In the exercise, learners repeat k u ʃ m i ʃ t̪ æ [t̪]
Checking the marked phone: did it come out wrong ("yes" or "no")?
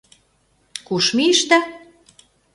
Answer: yes